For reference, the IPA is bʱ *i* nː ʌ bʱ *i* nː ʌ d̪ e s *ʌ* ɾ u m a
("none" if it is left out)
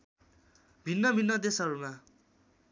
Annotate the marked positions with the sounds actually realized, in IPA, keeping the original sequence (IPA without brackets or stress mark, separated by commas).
i, i, ʌ